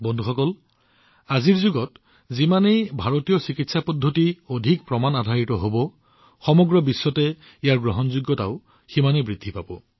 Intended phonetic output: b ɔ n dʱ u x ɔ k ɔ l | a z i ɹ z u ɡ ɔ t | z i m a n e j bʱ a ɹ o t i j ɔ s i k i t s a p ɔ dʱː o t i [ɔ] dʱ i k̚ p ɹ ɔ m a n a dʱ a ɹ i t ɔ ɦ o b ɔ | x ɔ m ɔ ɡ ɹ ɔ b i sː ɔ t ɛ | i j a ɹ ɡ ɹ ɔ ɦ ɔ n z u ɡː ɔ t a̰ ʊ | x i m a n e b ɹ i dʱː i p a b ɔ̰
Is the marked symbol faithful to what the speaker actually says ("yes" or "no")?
no